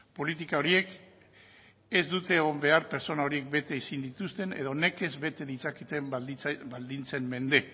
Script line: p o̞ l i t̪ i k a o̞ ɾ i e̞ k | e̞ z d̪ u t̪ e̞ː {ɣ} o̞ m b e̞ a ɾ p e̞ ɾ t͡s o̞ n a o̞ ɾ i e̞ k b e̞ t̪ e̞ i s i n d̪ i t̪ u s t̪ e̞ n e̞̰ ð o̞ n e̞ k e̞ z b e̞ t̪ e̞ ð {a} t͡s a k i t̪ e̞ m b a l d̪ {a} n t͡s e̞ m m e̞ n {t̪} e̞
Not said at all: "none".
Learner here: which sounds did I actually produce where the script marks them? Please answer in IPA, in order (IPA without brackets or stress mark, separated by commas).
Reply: ɣ, i, i, d̪